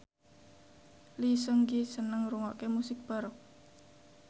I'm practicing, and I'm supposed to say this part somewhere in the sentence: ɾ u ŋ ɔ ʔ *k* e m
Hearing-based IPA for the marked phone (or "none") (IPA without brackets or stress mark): k